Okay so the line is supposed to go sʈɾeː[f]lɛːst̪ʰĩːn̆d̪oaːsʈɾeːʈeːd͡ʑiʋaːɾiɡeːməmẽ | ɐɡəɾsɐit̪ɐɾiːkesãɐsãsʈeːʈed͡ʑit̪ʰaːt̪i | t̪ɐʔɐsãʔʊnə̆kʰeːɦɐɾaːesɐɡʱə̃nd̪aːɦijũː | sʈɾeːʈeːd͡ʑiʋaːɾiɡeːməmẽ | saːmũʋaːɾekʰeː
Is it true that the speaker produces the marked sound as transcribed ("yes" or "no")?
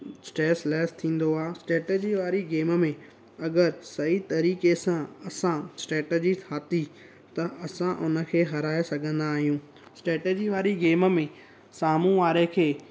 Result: no